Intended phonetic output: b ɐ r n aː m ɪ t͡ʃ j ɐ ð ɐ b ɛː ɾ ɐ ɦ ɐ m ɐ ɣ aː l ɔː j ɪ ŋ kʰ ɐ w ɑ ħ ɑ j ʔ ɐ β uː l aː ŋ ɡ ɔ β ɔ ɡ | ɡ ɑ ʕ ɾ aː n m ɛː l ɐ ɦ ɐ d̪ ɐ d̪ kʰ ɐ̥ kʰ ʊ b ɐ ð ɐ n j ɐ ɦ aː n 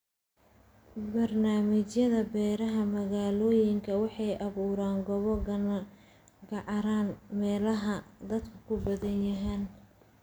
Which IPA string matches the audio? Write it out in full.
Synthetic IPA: b ɐ r n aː m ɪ t͡ʃ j ɐ ð ɐ b ɛː ɾ ɐ ɦ ɐ m ɐ ɣ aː l ɔː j ɪ ŋ kʰ ɐ w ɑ ħ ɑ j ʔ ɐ β uː ɾ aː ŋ ɡ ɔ β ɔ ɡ | ɡ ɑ ʕ ɾ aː n m ɛː l ɐ ɦ ɐ d̪ ɐ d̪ kʰ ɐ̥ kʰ ʊ b ɐ ð ɐ n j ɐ ɦ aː n